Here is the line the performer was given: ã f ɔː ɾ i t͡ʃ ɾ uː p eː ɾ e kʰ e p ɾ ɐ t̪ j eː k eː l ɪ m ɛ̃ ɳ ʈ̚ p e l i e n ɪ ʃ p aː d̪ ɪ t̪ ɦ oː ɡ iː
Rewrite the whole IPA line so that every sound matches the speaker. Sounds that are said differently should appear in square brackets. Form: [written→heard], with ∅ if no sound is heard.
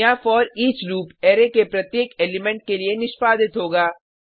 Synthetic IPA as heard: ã f ɔː ɾ [i→iː] t͡ʃ ɾ uː p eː ɾ e [kʰ→k] e p ɾ ɐ t̪ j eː k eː l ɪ m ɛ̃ ɳ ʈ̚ [p→k] e l i e n ɪ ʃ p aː d̪ ɪ t̪ ɦ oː ɡ [iː→aː]